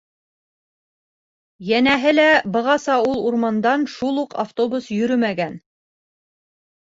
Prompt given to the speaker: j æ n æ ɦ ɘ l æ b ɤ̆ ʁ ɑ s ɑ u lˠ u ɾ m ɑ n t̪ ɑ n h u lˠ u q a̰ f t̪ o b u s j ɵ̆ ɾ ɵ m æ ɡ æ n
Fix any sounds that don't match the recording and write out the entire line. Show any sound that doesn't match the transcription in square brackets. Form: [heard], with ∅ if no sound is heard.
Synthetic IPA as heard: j æ n æ ɦ ɘ l æ b ɤ̆ ʁ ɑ s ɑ u lˠ u ɾ m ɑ n [d̪] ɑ n [ʃ] u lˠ u q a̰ f t̪ o b u s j ɵ̆ ɾ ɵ m æ ɡ æ n